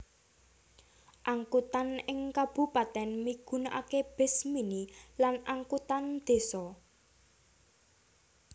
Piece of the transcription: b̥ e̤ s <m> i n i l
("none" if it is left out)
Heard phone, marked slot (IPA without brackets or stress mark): m